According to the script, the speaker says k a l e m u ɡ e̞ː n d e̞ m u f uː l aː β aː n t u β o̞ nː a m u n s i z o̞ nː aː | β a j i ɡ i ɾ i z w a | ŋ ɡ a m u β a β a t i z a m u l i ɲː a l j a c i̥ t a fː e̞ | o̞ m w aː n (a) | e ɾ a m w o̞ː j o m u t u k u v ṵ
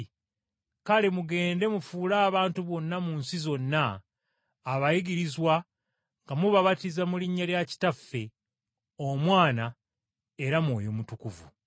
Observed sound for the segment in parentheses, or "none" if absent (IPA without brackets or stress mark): a